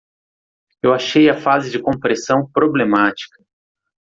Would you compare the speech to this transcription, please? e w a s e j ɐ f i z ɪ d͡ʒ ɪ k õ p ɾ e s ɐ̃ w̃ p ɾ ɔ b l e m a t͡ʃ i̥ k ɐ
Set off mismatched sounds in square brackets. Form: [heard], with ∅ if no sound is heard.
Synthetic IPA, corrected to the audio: e w a [ʃ] e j ɐ f [a] z ɪ d͡ʒ ɪ k õ p ɾ e s ɐ̃ w̃ p ɾ [o] b l e m a t͡ʃ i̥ k ɐ